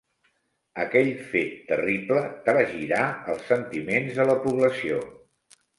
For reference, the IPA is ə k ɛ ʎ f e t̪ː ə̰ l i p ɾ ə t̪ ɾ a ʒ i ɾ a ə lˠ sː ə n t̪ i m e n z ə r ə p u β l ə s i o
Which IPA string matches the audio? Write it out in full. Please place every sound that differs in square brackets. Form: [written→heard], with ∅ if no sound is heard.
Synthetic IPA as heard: ə k ɛ ʎ f e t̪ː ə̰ [l→r] i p [ɾ→l] ə t̪ ɾ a ʒ i ɾ a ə lˠ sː ə n t̪ i m e n z ə [r→l] ə p u β l ə s i o